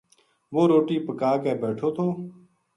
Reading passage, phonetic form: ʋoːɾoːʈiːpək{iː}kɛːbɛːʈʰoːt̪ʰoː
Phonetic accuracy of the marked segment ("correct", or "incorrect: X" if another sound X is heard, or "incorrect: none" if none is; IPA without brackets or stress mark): incorrect: aː